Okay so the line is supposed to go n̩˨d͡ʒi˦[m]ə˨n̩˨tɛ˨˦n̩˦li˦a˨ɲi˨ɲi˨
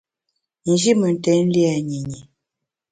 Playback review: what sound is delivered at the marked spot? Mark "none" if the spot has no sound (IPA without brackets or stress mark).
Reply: m